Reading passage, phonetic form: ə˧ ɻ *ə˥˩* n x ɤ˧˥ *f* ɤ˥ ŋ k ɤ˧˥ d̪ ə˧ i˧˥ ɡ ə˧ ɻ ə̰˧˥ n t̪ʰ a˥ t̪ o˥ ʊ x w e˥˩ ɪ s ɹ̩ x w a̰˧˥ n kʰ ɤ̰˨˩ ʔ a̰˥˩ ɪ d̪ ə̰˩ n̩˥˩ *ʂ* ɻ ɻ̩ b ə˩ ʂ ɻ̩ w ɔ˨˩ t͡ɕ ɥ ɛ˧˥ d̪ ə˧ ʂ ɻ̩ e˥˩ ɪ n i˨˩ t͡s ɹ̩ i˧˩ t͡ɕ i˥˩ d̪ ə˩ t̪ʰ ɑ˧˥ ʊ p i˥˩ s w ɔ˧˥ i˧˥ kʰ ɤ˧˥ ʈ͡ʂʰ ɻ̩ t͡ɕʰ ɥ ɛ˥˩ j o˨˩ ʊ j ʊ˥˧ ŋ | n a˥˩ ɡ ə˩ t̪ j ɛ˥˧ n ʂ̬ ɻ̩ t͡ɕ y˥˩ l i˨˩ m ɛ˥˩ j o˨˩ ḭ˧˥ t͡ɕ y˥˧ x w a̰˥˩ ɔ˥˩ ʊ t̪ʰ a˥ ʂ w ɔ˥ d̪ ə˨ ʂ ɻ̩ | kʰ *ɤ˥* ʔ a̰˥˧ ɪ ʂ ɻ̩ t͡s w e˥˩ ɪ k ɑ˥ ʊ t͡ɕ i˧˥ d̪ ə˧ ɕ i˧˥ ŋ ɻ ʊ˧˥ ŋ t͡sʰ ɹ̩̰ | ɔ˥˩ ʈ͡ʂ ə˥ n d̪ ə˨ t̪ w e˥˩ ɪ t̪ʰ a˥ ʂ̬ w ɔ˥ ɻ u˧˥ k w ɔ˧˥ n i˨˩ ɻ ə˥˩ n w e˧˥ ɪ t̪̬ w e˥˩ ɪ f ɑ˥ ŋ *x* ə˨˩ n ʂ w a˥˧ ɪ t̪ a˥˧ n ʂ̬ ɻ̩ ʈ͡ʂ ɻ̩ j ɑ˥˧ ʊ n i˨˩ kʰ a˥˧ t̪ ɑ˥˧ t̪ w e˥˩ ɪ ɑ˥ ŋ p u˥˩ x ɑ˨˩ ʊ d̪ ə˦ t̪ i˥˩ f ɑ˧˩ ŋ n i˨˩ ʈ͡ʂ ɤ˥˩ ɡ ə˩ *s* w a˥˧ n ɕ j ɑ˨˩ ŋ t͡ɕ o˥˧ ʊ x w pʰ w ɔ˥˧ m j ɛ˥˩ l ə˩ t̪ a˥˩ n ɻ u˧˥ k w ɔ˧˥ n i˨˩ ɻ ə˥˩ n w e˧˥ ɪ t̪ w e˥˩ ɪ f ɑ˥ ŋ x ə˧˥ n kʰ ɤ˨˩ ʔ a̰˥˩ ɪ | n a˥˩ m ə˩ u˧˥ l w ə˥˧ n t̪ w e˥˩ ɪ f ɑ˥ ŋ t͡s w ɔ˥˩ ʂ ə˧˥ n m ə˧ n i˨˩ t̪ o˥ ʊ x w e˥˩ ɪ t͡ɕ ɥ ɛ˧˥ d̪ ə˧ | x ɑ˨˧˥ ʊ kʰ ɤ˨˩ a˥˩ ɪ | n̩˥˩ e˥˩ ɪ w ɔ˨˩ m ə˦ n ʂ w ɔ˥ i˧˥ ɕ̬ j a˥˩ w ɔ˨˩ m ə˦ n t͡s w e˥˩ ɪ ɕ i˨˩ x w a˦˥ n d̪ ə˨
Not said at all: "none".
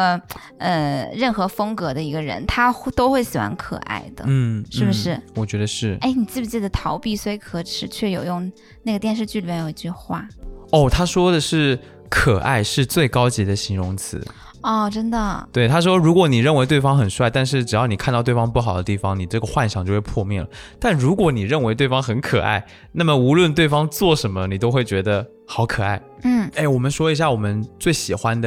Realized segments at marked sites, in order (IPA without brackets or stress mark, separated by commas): ə˥˩, f, ʂ, ɤ˨˩, x, x